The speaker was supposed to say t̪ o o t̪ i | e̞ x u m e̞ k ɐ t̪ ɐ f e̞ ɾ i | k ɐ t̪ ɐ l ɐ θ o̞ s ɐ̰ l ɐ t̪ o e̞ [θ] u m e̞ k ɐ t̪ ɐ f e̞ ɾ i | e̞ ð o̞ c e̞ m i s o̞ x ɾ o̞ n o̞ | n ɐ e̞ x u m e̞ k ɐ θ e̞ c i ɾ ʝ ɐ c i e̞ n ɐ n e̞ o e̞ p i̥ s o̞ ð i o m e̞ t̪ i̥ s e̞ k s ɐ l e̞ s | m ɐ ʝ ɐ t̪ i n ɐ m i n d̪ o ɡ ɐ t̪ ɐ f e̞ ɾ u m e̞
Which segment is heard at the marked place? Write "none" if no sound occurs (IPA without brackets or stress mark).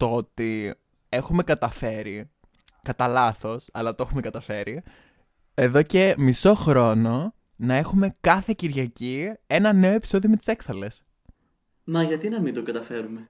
x